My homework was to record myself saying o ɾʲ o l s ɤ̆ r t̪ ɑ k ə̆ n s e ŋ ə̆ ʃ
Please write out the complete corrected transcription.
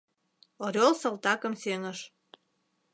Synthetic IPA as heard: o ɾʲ o l s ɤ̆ l t̪ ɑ k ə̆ m s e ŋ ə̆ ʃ